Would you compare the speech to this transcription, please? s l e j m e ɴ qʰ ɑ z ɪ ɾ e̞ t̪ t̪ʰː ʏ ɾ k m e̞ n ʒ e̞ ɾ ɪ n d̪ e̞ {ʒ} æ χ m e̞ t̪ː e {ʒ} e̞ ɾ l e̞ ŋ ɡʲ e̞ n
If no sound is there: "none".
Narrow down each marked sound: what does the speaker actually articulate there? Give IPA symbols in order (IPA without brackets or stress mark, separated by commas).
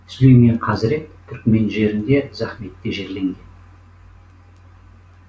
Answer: z, ʒ